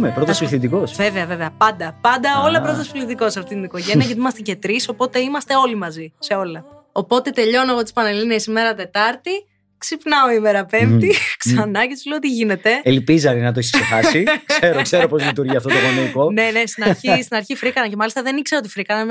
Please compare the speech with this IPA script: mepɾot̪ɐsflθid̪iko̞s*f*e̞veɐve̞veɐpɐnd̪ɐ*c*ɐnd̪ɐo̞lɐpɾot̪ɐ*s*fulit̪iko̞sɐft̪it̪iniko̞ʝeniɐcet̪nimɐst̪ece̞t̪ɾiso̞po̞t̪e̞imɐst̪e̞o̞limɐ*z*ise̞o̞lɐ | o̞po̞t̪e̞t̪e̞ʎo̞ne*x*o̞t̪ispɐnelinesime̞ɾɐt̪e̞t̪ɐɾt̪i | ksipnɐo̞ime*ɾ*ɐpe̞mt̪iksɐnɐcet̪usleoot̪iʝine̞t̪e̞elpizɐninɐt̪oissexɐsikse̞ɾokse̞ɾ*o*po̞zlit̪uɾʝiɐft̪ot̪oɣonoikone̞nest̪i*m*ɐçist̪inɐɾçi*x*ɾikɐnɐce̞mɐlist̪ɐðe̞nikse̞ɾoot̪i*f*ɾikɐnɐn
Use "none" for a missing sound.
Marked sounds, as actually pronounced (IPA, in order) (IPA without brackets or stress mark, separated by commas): v, p, s, z, ɣ, ɾ, o, n, f, f